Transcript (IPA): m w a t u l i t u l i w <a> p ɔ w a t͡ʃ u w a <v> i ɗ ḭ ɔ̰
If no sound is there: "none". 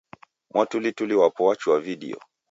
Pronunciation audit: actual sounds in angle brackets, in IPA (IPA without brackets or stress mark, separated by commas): a, v